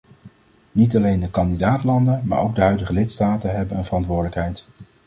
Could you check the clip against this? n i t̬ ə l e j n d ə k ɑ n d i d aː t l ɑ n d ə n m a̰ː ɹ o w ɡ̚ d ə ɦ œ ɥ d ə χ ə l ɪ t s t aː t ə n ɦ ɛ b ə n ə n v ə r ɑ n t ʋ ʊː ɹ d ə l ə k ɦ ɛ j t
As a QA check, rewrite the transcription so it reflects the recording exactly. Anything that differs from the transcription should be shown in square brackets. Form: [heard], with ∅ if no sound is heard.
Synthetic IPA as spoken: n i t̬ [ɑ] l e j n d ə k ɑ n d i d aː t l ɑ n d ə n m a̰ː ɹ o w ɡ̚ d ə ɦ œ ɥ d ə χ ə l ɪ t s t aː t ə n ɦ ɛ b ə n ə n v ə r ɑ n t ʋ ʊː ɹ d ə l ə k ɦ ɛ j t